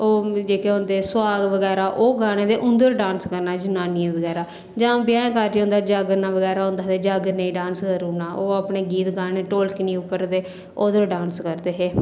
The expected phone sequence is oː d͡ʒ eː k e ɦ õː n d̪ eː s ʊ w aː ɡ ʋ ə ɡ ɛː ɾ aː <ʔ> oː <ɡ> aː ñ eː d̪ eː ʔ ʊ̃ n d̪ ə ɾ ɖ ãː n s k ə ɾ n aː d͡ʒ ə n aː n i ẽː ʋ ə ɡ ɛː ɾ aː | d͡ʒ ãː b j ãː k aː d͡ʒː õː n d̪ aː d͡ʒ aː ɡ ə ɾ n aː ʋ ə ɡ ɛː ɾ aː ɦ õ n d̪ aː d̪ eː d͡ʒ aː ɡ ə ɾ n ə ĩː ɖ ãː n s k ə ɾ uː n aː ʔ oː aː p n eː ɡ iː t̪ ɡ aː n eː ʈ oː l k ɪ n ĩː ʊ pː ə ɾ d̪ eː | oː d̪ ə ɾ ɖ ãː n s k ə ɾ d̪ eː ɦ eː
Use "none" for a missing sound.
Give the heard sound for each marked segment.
ʔ, ɡ

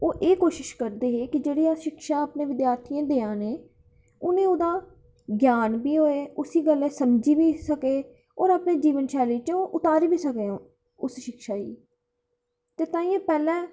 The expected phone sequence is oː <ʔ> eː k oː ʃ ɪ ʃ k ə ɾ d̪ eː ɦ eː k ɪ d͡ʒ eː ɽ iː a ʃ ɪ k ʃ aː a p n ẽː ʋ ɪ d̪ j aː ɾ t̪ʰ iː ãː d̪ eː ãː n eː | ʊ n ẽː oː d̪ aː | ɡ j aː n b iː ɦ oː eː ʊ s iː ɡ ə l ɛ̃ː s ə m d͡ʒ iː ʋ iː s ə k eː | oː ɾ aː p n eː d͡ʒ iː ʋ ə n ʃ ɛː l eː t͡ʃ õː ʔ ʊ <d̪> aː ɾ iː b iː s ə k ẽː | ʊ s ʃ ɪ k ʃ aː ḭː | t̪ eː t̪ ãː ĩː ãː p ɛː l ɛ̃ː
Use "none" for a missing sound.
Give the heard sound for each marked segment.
ʔ, t̪

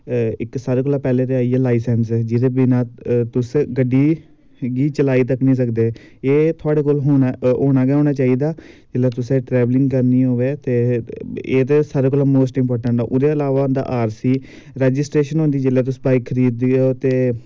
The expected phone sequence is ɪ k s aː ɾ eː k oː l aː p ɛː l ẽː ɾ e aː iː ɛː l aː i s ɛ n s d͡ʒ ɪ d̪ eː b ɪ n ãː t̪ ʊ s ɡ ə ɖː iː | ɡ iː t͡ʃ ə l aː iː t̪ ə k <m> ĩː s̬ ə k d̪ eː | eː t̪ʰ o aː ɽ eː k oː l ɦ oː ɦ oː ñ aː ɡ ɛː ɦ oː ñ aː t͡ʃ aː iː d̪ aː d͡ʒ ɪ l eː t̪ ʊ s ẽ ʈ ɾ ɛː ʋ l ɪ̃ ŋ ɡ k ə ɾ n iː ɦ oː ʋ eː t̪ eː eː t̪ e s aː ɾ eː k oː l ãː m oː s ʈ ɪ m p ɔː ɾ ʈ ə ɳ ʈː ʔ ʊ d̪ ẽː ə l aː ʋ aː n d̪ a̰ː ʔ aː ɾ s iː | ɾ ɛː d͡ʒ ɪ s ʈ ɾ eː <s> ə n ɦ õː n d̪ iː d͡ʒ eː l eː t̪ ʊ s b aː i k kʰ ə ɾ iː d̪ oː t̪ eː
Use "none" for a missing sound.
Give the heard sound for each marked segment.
n, ʃ

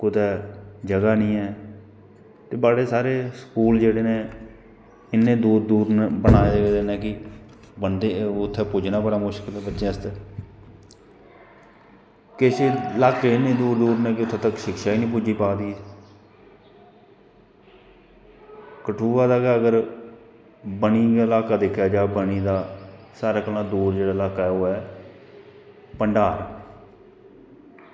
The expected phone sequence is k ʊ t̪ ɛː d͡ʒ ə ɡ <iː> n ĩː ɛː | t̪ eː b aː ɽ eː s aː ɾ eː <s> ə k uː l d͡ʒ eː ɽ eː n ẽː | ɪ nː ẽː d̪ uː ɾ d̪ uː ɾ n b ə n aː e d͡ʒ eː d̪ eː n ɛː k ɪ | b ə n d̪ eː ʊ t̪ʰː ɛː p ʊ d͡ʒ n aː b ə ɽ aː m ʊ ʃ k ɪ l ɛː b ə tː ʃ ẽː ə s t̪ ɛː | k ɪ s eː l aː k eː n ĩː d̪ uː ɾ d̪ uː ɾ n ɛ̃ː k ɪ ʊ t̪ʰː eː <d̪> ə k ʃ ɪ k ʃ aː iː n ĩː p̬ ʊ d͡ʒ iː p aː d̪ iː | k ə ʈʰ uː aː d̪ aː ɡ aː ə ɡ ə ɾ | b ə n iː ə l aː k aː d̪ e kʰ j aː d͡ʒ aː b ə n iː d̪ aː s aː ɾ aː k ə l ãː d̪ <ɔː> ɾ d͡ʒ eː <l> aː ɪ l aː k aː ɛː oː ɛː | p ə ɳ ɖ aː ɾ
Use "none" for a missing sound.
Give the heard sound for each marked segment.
aː, s, t̪, uː, ɽ

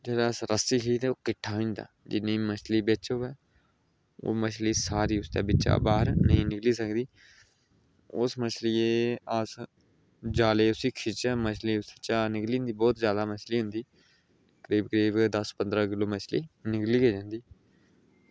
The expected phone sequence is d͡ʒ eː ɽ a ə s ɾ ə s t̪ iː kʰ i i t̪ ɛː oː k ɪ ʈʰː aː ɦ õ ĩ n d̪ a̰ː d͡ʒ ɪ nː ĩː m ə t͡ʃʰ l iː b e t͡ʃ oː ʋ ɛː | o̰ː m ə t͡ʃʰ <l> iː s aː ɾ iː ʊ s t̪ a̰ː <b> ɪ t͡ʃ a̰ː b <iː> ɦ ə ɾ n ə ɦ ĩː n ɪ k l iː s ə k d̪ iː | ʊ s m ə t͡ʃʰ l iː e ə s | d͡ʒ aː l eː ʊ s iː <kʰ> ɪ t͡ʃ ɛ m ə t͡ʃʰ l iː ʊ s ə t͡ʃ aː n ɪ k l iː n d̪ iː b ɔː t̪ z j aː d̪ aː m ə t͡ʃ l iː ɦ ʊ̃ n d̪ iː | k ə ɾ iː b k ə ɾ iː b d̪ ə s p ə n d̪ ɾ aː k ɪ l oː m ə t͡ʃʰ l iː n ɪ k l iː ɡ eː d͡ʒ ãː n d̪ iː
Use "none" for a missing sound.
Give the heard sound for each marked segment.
l, b, aː, kʰ

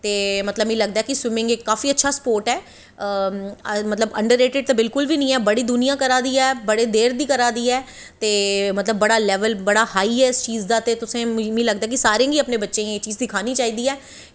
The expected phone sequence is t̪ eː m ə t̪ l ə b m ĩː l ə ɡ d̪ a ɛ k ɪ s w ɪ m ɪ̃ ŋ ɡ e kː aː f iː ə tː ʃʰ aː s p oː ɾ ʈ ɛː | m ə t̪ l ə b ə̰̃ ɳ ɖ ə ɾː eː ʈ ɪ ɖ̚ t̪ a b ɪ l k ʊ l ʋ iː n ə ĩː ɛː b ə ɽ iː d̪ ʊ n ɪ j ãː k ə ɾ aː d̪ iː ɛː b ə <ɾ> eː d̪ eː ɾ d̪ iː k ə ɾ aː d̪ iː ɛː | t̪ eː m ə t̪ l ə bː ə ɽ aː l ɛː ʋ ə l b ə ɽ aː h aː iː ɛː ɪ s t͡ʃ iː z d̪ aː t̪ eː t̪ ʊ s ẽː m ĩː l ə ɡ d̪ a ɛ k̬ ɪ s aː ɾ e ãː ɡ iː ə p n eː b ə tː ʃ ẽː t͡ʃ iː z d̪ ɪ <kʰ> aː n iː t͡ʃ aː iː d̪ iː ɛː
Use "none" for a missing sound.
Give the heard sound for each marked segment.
ɽ, kʰ

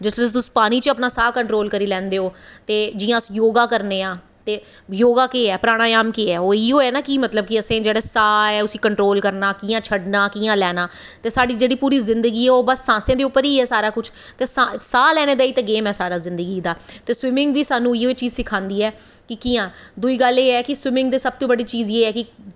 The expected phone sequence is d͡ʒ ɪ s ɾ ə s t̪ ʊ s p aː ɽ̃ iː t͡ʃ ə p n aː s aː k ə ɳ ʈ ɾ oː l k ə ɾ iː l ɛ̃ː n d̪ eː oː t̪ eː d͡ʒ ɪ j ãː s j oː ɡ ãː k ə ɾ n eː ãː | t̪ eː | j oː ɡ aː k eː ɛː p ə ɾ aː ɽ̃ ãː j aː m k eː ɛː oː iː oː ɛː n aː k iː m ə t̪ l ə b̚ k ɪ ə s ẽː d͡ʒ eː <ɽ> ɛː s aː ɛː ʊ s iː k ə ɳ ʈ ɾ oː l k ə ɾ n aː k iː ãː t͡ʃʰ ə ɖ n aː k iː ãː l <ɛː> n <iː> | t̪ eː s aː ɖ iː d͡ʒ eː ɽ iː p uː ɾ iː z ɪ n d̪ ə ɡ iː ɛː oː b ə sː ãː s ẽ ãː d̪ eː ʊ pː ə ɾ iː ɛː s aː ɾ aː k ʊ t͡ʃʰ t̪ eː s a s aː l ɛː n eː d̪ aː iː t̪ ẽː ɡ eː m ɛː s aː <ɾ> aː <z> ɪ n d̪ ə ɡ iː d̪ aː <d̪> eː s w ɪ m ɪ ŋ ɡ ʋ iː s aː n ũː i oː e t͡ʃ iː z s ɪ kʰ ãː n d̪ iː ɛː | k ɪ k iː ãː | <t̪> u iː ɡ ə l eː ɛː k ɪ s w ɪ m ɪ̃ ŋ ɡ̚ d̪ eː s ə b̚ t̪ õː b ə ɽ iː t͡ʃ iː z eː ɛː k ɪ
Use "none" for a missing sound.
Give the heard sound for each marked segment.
ɽ, ɛː, aː, ɾ, z, t̪, d̪

